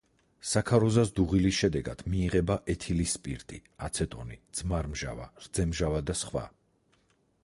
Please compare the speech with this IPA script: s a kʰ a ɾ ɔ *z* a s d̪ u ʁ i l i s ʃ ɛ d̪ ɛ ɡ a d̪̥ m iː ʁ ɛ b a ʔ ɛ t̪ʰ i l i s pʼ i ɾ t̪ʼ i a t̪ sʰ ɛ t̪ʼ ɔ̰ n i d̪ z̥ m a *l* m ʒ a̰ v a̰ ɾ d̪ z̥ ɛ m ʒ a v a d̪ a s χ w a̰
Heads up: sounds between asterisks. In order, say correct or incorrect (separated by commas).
correct, incorrect